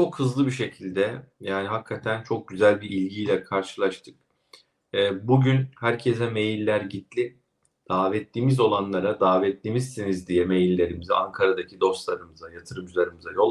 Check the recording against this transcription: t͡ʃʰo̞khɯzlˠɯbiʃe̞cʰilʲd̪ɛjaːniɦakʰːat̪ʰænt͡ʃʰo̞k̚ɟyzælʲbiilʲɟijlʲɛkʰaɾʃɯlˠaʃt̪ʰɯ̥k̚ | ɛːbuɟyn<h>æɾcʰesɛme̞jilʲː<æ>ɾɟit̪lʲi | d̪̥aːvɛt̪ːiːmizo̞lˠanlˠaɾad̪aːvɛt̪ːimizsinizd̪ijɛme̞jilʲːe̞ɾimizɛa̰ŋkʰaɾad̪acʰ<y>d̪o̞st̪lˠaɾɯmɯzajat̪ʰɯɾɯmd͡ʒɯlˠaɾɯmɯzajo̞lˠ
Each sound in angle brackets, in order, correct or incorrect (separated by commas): correct, correct, incorrect